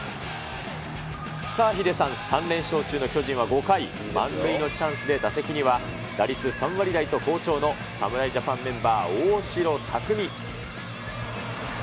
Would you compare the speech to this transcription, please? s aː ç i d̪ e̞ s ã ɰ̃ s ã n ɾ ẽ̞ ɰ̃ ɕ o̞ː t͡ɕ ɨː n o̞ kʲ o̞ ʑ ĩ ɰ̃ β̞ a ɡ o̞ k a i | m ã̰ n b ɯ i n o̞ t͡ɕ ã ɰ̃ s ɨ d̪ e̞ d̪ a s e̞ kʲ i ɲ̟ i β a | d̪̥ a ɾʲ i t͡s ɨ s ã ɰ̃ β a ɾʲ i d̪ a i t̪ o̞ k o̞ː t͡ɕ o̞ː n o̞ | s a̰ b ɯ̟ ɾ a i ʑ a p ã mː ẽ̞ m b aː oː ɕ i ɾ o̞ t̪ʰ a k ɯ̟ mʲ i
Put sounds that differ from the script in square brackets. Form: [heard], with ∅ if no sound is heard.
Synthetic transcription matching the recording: s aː ç i d̪ e̞ s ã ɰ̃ s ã n ɾ ẽ̞ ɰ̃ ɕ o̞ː t͡ɕ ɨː n o̞ kʲ o̞ ʑ ĩ ɰ̃ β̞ a ɡ o̞ k a i | m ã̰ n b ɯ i n o̞ t͡ɕ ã ɰ̃ s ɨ d̪ e̞ d̪ a s e̞ kʲ i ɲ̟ i β a | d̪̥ a ɾʲ i t͡s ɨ s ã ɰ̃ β a ɾʲ i d̪ a i t̪ o̞ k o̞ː t͡ɕ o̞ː n o̞ | s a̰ [m] ɯ̟ ɾ a i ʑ a p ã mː ẽ̞ m b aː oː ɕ i ɾ o̞ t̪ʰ a k ɯ̟ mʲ i